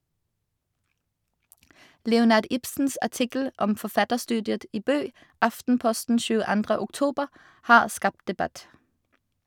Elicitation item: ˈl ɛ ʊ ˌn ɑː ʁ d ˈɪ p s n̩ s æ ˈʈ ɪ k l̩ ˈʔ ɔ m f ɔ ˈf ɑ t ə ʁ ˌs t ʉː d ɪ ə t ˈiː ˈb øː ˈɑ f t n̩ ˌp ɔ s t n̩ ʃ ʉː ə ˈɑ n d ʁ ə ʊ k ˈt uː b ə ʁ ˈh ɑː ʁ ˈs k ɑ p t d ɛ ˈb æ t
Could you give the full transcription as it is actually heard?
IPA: ˈl ɛ ʊ ˌn ɑː ʁ d ˈɪ p s n̩ s æ ˈʈ ɪ k l̩ ˈʔ ɔ m f ɔ ˈf ɑ t ə ʁ ˌs t ʉː d ɪ ə t ˈiː ˈb øː ˈɑ f t n̩ ˌp ɔ s t n̩ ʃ ʉː ə ˈɑ n d ʁ ə ʊ k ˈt uː b ə ʁ ˈh ɑː ʁ ˈs k ɑ p t d ɛ ˈb æ t